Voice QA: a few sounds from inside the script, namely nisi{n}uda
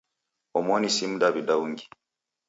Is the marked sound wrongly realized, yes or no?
yes